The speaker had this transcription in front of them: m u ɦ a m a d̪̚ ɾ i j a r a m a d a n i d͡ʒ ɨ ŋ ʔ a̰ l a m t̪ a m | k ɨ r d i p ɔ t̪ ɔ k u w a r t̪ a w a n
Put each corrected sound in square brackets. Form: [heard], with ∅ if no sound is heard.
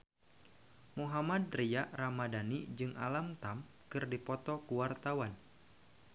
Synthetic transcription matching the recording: m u ɦ a m a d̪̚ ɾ i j a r a m a d a n i d͡ʒ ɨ ŋ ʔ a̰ l a m t̪ a m | k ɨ r d i p ɔ t̪ ɔ k u w a r t̪ a w a n